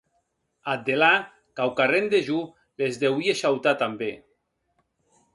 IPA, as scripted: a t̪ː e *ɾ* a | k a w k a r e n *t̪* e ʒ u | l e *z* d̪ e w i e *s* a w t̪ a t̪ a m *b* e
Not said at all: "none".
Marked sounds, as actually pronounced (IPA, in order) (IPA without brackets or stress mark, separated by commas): l, d̪, z, ʃ, b